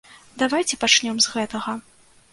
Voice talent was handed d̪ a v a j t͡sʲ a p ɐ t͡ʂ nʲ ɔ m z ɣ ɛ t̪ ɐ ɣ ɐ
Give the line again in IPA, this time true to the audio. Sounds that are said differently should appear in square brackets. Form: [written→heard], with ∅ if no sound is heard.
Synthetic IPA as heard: d̪ a v a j t͡sʲ [a→ɛ] p [ɐ→a] t͡ʂ nʲ ɔ m z ɣ ɛ t̪ ɐ ɣ ɐ